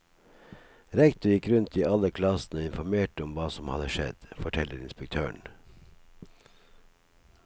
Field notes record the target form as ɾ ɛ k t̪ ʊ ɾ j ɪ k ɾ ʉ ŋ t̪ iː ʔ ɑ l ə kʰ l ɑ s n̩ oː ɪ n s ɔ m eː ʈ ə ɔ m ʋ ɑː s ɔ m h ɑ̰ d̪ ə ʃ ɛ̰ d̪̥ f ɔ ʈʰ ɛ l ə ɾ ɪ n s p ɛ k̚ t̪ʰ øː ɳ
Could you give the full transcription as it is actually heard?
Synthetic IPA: ɾ ɛ k t̪ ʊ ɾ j ɪ k ɾ ʉ n t̪ iː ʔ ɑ l ə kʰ l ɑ s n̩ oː ɪ n f ɔ m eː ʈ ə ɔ m ʋ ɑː s ɔ m h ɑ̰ d̪ ə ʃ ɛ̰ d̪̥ f ɔ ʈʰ ɛ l ə ɾ ɪ n s p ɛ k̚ t̪ʰ øː ɳ